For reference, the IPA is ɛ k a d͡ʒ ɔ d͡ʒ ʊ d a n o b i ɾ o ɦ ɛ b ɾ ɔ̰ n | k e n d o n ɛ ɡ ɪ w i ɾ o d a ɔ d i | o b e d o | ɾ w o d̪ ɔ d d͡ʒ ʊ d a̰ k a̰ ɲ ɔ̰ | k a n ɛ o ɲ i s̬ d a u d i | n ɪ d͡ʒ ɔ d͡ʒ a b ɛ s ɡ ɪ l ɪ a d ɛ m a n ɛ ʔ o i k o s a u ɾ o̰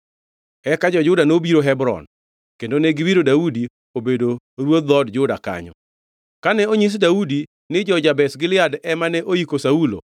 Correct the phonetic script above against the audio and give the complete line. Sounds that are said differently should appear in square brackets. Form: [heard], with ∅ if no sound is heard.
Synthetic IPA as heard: ɛ k a d͡ʒ ɔ d͡ʒ ʊ d a n o b i ɾ o ɦ ɛ b ɾ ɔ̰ n | k e n d o n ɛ ɡ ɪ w i ɾ o d a [u] d i | o b e d o | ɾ w o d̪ ɔ d d͡ʒ ʊ d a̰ k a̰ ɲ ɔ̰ | k a n ɛ o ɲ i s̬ d a u d i | n ɪ d͡ʒ ɔ d͡ʒ a b ɛ s ɡ ɪ l ɪ a d ɛ m a n ɛ ʔ o i k o s a u [l] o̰

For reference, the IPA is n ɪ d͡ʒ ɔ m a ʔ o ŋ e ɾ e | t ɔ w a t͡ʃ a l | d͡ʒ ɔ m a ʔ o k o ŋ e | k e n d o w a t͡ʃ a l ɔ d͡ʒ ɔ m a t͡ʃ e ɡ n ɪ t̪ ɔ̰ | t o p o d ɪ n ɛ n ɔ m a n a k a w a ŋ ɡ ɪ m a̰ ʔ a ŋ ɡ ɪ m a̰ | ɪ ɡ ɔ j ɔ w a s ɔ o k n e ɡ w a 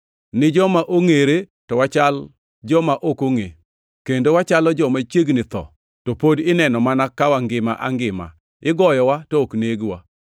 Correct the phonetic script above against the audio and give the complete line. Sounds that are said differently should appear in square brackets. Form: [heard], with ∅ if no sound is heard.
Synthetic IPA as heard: n ɪ d͡ʒ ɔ m a ʔ o ŋ e ɾ e | t ɔ w a t͡ʃ a l | d͡ʒ ɔ m a ʔ o k o ŋ e | k e n d o w a t͡ʃ a l ɔ d͡ʒ ɔ m a t͡ʃ e ɡ n ɪ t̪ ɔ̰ | t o p o d ɪ n ɛ n ɔ m a n a k a w a ŋ ɡ ɪ m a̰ ʔ a ŋ ɡ ɪ m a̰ | ɪ ɡ ɔ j ɔ w a [t] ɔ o k n e ɡ w a

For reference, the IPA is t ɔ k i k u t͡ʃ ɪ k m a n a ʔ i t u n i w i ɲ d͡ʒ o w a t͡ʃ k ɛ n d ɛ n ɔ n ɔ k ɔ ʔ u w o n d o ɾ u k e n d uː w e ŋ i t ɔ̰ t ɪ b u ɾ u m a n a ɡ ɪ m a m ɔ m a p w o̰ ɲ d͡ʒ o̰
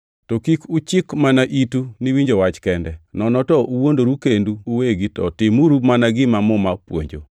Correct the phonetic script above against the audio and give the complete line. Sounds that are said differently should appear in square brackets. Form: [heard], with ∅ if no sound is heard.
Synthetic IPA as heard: t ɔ k i k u t͡ʃ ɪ k m a n a ʔ i t u n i w i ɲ d͡ʒ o w a t͡ʃ k ɛ n d ɛ n ɔ n ɔ [t] ɔ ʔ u w o n d o ɾ u k e n d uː w e [ɡ] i t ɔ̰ t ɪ [m] u ɾ u m a n a ɡ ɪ m a m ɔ m a p w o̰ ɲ d͡ʒ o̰

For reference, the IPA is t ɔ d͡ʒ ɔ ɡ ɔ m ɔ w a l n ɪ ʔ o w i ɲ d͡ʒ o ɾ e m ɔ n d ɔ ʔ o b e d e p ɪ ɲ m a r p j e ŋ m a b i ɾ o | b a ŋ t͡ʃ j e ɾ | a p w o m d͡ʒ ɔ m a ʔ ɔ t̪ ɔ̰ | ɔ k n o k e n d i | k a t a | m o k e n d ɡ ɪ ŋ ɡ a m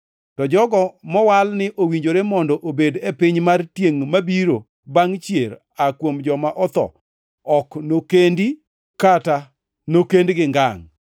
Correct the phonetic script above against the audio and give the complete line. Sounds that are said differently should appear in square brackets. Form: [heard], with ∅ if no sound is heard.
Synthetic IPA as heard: t ɔ d͡ʒ ɔ ɡ ɔ m ɔ w a l n ɪ ʔ o w i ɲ d͡ʒ o ɾ e m ɔ n d ɔ ʔ o b e d e p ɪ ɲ m a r [t] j e ŋ m a b i ɾ o | b a ŋ t͡ʃ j e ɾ | a [k] w o m d͡ʒ ɔ m a ʔ ɔ t̪ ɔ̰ | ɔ k n o k e n d i | k a t a | [n] o k e n d ɡ ɪ ŋ ɡ a [ŋ]

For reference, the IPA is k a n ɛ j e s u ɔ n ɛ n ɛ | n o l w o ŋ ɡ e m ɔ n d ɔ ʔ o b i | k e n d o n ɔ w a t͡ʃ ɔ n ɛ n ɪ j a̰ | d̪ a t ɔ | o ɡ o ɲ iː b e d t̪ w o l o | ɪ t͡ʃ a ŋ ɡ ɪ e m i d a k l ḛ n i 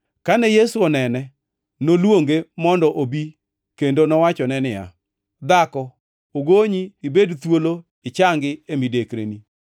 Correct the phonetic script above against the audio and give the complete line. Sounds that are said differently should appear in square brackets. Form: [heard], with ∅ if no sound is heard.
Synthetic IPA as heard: k a n ɛ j e s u ɔ n ɛ n ɛ | n o l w o ŋ ɡ e m ɔ n d ɔ ʔ o b i | k e n d o n ɔ w a t͡ʃ ɔ n ɛ n ɪ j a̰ | d̪ a [k] ɔ | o ɡ o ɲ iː b e d t̪ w o l o | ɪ t͡ʃ a ŋ ɡ ɪ e m i d [e] k [ɾ] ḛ n i

